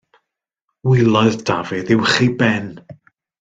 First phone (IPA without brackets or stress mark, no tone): w